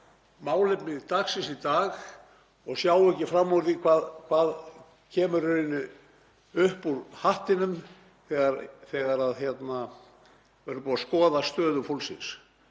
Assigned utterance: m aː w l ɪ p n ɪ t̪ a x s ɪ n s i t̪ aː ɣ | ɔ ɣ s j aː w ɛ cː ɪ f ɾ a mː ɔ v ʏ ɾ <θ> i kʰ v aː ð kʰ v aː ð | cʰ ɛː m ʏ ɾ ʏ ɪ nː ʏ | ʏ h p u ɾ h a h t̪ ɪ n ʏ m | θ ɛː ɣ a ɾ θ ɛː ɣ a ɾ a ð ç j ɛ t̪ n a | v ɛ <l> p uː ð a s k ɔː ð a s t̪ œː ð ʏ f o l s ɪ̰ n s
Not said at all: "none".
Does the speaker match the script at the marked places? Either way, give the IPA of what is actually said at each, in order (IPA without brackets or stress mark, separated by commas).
θ, ɾ